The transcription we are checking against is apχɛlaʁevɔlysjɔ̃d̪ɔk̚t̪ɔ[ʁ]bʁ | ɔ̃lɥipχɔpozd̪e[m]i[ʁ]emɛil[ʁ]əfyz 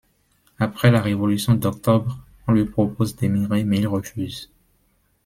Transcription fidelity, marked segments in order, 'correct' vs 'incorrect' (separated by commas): incorrect, correct, correct, correct